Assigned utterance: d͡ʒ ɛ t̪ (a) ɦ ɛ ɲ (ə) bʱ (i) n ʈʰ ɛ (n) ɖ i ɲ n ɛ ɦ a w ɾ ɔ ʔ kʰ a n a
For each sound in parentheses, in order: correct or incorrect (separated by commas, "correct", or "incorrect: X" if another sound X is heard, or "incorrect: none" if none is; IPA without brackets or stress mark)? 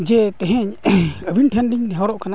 incorrect: ɛ, correct, correct, correct